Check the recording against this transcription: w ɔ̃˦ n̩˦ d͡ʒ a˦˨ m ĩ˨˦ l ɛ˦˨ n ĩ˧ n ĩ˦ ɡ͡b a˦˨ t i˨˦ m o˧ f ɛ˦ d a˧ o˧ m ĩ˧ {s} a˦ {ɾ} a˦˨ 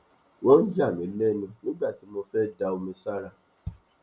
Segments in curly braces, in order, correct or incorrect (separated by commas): correct, correct